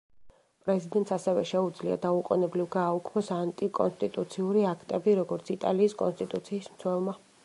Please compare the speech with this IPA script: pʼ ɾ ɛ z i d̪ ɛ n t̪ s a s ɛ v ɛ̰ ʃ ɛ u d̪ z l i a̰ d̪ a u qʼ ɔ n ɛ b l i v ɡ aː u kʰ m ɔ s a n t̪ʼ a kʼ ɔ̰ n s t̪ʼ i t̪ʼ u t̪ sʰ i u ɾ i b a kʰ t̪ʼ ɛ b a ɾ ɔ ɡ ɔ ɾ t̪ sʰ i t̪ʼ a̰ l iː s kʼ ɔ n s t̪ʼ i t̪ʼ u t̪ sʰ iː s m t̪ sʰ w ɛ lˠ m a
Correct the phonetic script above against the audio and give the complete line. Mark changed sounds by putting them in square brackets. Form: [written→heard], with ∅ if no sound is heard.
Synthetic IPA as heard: pʼ ɾ ɛ z i d̪ ɛ n t̪ s a s ɛ v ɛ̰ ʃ ɛ u d̪ z l i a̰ d̪ a u qʼ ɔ n ɛ b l i v ɡ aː u kʰ m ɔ s a n t̪ʼ [a→i] kʼ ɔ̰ n s t̪ʼ i t̪ʼ u t̪ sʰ i u ɾ i [b→∅] a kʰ t̪ʼ ɛ b [a→i] ɾ ɔ ɡ ɔ ɾ t̪ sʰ i t̪ʼ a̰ l iː s kʼ ɔ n s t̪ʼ i t̪ʼ u t̪ sʰ iː s m t̪ sʰ w ɛ lˠ m a